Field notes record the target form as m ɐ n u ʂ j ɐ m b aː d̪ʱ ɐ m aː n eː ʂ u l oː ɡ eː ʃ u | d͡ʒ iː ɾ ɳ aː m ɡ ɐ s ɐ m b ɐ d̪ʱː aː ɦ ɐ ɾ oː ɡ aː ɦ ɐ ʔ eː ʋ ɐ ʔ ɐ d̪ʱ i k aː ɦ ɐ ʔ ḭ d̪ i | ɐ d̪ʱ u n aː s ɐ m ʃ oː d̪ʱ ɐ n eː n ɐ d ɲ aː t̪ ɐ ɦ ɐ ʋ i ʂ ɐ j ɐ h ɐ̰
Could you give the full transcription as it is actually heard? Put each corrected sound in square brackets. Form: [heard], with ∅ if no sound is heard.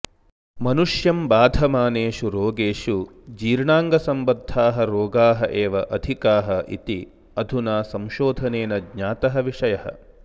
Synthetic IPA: m ɐ n u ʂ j ɐ m b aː d̪ʱ ɐ m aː n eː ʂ u [ɾ] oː ɡ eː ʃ u | d͡ʒ iː ɾ ɳ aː [ŋ] ɡ ɐ s ɐ m b ɐ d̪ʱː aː ɦ ɐ ɾ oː ɡ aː ɦ ɐ ʔ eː ʋ ɐ ʔ ɐ d̪ʱ i k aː ɦ ɐ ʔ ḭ [t̪] i | ɐ d̪ʱ u n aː s ɐ m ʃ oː d̪ʱ ɐ n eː n ɐ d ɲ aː t̪ ɐ ɦ ɐ ʋ i ʂ ɐ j ɐ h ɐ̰